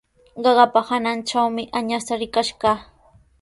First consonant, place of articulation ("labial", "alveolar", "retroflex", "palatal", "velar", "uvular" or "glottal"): uvular